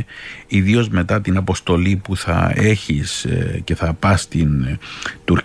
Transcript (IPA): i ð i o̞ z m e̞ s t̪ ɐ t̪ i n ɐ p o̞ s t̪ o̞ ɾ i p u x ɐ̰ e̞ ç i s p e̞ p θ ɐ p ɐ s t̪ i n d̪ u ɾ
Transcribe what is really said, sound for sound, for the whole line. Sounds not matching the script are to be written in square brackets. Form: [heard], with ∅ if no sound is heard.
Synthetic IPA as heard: i ð i o̞ z m e̞ [∅] t̪ ɐ t̪ i n ɐ p o̞ s t̪ o̞ [l] i p u [θ] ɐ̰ e̞ ç i s [c] e̞ [∅] θ ɐ p ɐ s t̪ i n [t̪] u ɾ